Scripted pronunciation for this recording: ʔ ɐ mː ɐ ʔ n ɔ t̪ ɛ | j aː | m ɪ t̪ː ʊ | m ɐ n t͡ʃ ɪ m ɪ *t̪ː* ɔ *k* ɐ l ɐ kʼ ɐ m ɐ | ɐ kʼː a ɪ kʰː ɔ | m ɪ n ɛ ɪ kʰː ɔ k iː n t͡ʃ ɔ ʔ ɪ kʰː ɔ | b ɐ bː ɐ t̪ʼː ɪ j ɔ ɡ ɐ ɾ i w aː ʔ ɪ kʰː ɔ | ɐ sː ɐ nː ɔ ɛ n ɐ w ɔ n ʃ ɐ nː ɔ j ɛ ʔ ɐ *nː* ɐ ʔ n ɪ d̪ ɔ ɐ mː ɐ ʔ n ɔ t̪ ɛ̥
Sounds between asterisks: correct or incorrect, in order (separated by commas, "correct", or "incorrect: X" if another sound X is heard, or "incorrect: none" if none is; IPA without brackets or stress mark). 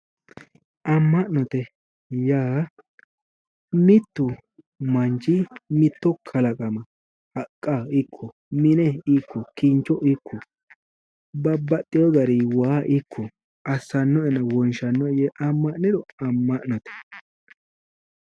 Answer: correct, incorrect: kʰ, incorrect: mː